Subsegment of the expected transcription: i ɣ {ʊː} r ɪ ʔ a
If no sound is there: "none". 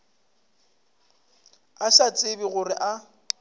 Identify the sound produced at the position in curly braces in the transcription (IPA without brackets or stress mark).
ʊ